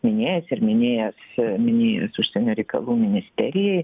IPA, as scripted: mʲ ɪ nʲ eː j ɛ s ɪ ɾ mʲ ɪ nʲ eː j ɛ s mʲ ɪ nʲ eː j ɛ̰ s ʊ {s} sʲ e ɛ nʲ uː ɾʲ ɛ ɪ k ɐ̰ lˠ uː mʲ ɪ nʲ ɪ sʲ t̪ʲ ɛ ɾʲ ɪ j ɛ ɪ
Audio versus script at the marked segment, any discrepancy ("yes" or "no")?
yes